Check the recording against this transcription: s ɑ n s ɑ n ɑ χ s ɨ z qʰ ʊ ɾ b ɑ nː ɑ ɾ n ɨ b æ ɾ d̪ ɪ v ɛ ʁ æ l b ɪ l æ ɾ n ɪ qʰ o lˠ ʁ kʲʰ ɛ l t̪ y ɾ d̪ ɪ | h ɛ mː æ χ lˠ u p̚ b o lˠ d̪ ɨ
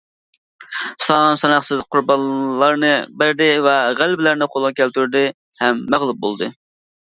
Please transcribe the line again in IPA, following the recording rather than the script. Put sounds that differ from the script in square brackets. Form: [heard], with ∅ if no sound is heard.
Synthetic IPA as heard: s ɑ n s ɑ n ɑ χ s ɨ z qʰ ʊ ɾ b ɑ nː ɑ ɾ n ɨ b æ ɾ d̪ ɪ v ɛ ʁ æ l b ɪ l æ ɾ n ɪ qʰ o lˠ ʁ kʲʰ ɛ l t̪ y ɾ d̪ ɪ | h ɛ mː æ [ʁ] lˠ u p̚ b o lˠ d̪ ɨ

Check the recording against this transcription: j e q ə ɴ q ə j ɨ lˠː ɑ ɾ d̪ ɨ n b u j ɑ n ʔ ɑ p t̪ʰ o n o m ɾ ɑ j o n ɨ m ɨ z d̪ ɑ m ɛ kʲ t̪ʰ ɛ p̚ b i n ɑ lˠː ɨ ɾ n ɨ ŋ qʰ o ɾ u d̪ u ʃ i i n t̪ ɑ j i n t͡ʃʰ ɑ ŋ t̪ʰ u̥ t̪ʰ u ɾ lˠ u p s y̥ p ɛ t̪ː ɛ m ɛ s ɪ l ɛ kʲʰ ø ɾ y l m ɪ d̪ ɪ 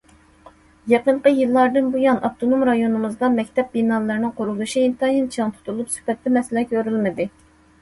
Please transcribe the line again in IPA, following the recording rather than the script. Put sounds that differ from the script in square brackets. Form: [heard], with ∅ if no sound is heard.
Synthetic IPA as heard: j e q ə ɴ q ə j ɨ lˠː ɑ ɾ d̪ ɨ n b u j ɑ n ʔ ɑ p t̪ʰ o n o m ɾ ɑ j o n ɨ m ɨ z d̪ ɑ m ɛ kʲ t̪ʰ ɛ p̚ b i n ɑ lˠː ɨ ɾ n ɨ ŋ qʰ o ɾ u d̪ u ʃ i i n t̪ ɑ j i n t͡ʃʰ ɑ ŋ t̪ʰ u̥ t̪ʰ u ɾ lˠ u p s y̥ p ɛ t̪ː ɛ m ɛ s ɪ l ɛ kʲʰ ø ɾ y l m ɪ d̪ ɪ

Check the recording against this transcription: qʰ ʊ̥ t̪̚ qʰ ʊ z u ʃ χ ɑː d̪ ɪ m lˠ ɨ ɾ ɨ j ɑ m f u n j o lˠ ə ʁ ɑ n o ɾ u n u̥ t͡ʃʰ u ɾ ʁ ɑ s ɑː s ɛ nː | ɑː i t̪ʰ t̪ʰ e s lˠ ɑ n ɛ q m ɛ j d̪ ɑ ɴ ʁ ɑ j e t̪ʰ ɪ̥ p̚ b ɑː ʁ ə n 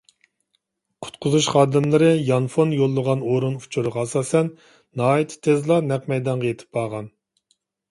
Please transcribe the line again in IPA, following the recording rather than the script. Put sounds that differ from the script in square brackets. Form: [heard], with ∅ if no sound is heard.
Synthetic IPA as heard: qʰ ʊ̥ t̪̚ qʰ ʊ z u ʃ χ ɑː d̪ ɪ m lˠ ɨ ɾ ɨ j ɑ [n] f [o] n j o [lˠː] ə ʁ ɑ n o ɾ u n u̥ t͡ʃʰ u ɾ ʁ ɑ s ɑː s ɛ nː | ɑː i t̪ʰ t̪ʰ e [z] lˠ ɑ n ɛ q m ɛ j d̪ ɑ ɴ ʁ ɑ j e t̪ʰ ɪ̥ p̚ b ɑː ʁ [ɑ] n

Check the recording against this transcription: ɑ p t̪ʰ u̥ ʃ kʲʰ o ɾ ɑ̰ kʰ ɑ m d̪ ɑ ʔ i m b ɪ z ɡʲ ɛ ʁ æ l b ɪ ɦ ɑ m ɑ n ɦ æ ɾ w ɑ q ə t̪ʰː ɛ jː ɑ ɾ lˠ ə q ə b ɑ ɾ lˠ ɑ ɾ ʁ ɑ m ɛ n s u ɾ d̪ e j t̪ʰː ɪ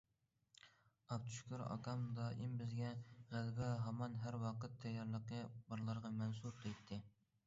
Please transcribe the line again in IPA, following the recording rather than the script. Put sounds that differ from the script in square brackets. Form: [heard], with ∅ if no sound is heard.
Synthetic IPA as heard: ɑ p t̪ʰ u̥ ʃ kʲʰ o ɾ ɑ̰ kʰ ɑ m d̪ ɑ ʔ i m b ɪ z ɡʲ ɛ ʁ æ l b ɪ ɦ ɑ m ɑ n ɦ æ ɾ w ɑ q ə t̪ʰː ɛ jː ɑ ɾ lˠ ə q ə b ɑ ɾ lˠ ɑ ɾ ʁ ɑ m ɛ n s u ɾ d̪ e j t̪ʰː ɪ

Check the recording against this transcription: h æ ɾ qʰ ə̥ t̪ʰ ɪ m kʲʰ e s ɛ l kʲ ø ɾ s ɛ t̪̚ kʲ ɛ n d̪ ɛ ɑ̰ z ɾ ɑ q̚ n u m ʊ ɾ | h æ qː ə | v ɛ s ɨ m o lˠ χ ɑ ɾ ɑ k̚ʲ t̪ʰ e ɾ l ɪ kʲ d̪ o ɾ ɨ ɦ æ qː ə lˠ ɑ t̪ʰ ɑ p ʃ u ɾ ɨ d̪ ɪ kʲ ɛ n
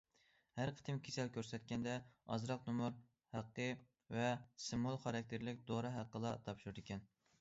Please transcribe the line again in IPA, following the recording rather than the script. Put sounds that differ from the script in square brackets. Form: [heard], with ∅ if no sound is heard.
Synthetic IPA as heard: h æ ɾ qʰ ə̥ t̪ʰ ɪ m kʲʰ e s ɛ l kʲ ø ɾ s ɛ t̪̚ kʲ ɛ n d̪ ɛ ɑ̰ z ɾ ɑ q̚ n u m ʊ ɾ | h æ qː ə | v ɛ s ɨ m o lˠ χ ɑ ɾ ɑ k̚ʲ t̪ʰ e ɾ l ɪ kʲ d̪ o ɾ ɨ ɦ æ qː ə lˠ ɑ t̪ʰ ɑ p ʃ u ɾ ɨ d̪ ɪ kʲ ɛ n

